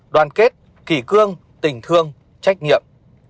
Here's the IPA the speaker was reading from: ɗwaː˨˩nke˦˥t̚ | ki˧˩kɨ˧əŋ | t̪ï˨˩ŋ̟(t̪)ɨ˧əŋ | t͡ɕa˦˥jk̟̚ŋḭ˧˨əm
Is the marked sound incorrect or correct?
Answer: incorrect: t̪ʰ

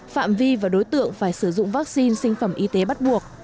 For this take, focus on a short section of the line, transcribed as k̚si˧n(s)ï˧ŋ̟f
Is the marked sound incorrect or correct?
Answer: correct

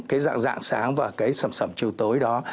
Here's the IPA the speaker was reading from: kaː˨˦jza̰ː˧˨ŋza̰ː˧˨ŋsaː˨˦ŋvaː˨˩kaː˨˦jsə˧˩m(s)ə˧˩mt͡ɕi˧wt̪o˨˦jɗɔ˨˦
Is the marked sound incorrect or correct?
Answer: correct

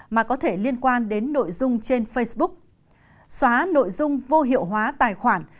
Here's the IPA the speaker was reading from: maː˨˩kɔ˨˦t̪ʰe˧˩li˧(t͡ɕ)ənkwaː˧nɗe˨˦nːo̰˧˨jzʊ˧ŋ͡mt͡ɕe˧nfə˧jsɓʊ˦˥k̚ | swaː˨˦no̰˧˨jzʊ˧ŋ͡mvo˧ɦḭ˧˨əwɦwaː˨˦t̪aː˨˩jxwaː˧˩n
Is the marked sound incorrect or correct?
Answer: incorrect: none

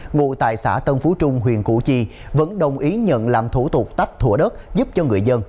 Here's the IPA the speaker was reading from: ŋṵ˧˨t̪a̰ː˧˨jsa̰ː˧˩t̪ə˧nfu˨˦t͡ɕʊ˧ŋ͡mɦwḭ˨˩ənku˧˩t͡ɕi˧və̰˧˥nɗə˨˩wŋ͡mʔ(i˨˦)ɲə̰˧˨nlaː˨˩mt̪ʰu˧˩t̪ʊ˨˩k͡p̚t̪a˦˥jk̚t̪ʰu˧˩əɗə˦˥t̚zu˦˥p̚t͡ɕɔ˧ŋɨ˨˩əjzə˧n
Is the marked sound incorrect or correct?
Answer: correct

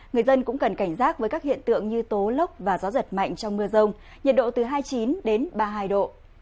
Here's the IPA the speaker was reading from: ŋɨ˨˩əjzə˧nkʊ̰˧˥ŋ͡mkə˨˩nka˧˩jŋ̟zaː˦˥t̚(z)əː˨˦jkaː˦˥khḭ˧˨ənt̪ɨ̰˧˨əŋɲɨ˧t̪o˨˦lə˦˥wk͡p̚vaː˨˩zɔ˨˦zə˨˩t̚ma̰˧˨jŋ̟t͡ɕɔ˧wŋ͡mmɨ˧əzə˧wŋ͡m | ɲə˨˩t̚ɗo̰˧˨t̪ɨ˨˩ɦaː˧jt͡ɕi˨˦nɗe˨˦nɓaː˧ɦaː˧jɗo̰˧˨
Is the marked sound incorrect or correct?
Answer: incorrect: v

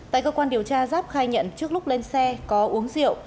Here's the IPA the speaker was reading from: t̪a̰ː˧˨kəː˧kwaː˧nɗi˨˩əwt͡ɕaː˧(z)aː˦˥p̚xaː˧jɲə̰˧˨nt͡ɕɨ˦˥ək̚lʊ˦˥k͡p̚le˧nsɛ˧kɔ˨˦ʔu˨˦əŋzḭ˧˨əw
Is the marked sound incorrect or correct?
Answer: correct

